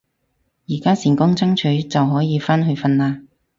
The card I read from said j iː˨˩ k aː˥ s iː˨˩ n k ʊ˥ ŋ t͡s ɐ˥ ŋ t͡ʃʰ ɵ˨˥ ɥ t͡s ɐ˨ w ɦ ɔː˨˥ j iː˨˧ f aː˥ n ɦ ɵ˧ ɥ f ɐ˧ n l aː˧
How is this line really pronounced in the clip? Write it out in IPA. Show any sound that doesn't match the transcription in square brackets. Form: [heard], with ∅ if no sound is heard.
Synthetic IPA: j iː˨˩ k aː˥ s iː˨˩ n k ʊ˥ ŋ t͡s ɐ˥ ŋ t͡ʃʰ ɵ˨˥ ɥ t͡s ɐ˨ w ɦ ɔː˨˥ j iː˨˧ f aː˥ n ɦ ɵ˧ ɥ f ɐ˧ n l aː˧